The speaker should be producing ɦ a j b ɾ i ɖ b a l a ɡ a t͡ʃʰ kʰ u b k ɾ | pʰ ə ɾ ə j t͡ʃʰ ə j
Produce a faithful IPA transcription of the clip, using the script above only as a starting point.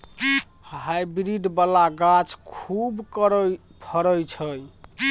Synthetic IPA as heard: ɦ a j b ɾ i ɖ b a l a ɡ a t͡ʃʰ kʰ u b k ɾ | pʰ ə ɾ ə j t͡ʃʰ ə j

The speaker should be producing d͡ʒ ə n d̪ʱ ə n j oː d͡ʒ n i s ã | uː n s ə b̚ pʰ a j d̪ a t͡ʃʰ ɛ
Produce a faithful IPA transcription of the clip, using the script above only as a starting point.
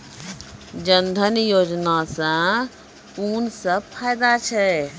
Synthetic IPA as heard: d͡ʒ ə n d̪ʱ ə n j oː d͡ʒ n a s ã | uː n s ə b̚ pʰ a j d̪ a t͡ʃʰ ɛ

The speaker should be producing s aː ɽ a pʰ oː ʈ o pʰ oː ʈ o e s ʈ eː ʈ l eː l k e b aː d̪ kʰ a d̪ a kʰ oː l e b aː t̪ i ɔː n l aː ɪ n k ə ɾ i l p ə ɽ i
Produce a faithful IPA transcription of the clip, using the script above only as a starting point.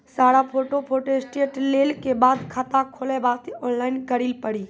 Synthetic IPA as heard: s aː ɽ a pʰ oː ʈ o pʰ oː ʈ o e s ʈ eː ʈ l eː l k e b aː d̪ kʰ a t̪ a kʰ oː l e b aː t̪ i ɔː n l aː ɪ n k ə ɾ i l p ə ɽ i

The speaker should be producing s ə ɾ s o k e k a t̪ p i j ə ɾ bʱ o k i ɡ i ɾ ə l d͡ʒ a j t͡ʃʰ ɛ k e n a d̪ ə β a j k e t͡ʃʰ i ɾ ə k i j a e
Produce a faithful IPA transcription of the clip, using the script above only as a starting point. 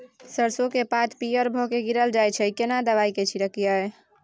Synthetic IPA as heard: s ə ɾ s o k e p a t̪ p i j ə ɾ bʱ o k e ɡ i ɾ ə l d͡ʒ a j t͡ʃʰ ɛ k e n a d̪ ə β a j k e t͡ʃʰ i ɾ ə k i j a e

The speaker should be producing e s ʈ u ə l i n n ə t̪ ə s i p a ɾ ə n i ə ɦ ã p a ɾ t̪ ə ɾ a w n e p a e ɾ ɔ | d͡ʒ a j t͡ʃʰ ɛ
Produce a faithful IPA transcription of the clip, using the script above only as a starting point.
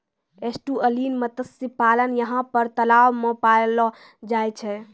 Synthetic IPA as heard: e s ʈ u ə l i n m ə t̪ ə s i p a l ə n j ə ɦ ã p ə ɾ t̪ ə l a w m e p a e l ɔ | d͡ʒ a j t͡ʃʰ ɛ

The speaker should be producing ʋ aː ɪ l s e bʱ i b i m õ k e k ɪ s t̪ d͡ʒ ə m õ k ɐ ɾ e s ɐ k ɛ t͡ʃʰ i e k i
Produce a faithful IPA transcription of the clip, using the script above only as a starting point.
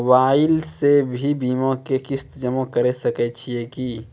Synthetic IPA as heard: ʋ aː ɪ l s e bʱ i b iː m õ k e k ɪ s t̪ d͡ʒ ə m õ k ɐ ɾ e s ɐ k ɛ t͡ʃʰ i e k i

